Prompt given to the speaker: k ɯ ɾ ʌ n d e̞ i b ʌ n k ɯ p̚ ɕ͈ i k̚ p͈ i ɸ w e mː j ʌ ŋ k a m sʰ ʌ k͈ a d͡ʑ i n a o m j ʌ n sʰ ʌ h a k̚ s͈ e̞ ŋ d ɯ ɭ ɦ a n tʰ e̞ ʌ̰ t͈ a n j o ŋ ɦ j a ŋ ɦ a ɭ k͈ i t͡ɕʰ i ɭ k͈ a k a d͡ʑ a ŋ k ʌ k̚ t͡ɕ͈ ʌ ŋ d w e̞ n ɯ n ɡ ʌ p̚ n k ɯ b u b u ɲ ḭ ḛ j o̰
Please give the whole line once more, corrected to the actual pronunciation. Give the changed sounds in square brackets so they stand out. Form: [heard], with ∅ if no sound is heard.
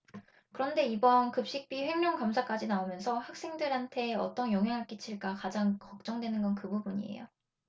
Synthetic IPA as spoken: k ɯ ɾ ʌ n d e̞ i b ʌ n k ɯ p̚ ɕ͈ i k̚ p͈ i ɸ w e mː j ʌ ŋ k a m sʰ [a] k͈ a d͡ʑ i n a o m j ʌ n sʰ ʌ h a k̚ s͈ e̞ ŋ d ɯ [ɾ] ɦ a n tʰ e̞ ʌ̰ t͈ [ʌ] n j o ŋ ɦ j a ŋ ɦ a ɭ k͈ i t͡ɕʰ i ɭ k͈ a k a d͡ʑ a ŋ k ʌ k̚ t͡ɕ͈ ʌ ŋ d w e̞ n ɯ n ɡ ʌ [∅] n k ɯ b u b u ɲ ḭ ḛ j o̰

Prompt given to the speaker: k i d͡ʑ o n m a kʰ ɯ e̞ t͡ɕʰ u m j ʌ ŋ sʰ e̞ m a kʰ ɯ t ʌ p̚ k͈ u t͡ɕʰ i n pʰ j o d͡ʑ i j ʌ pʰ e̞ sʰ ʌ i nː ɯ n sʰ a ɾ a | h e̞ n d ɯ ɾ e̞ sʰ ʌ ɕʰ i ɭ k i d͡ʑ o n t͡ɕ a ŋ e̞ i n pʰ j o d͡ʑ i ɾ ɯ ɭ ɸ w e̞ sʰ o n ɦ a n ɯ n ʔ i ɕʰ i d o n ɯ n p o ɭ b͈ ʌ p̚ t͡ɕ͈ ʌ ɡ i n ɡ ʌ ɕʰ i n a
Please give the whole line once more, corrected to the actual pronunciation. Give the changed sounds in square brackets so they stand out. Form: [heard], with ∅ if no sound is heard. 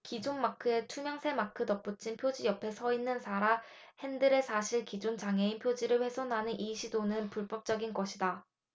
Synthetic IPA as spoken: k i d͡ʑ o n m a kʰ ɯ e̞ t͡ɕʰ u m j ʌ ŋ sʰ e̞ m a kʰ ɯ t ʌ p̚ [p͈] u t͡ɕʰ i n pʰ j o d͡ʑ i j ʌ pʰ e̞ sʰ ʌ i nː ɯ n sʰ a ɾ a | h e̞ n d ɯ ɾ e̞ sʰ [a] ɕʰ i ɭ k i d͡ʑ o n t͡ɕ a ŋ e̞ i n pʰ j o d͡ʑ i ɾ ɯ ɭ ɸ w e̞ sʰ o n ɦ a n ɯ n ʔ i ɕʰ i d o n ɯ n p [u] ɭ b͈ ʌ p̚ t͡ɕ͈ ʌ ɡ i n ɡ ʌ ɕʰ i [d] a

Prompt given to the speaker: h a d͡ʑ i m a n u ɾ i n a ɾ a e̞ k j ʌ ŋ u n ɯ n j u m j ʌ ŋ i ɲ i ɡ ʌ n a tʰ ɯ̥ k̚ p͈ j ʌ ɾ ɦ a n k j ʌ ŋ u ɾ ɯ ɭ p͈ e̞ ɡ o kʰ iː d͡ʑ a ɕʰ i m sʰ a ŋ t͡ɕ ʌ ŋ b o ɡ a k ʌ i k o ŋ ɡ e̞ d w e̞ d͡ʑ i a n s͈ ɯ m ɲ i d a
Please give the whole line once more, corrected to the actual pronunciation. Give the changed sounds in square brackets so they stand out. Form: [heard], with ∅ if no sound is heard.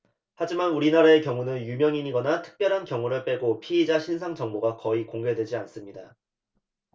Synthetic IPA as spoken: h a d͡ʑ i m a n u ɾ i n a ɾ a e̞ k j ʌ ŋ u n ɯ n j u m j ʌ ŋ i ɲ i ɡ ʌ n a tʰ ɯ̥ k̚ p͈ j ʌ ɾ ɦ a n k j ʌ ŋ u ɾ ɯ ɭ p͈ e̞ ɡ o [pʰ] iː d͡ʑ a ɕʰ i [n] sʰ a ŋ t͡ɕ ʌ ŋ b o ɡ a k ʌ i k o ŋ ɡ e̞ d w e̞ d͡ʑ i a n s͈ ɯ m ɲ i d a

